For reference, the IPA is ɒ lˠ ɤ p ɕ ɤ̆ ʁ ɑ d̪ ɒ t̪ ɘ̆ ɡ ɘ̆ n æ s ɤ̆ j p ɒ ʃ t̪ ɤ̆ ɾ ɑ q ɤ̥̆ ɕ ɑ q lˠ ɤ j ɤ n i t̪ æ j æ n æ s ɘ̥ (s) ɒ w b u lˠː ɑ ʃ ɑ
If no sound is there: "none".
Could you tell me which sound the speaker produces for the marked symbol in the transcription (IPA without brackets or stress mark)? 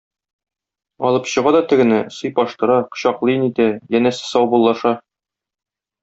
s